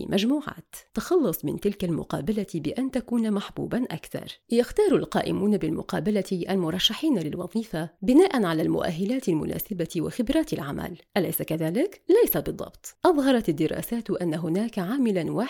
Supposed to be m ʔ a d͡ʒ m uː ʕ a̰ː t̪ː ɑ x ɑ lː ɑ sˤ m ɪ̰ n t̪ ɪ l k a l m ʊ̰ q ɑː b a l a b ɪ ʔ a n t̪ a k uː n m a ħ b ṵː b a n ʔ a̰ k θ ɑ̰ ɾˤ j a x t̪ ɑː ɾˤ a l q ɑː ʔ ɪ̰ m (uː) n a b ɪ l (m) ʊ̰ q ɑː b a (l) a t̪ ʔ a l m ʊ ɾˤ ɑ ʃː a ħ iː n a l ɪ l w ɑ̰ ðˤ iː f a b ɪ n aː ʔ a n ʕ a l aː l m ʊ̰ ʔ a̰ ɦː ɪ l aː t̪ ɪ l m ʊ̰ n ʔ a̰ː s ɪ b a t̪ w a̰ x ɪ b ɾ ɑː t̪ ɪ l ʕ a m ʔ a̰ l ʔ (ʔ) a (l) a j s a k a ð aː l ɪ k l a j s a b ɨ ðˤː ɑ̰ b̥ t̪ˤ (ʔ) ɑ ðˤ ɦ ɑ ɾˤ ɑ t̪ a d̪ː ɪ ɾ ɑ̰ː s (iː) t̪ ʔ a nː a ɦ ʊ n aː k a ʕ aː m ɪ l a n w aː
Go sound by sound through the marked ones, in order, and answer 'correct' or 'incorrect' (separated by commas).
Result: correct, correct, correct, correct, correct, correct, incorrect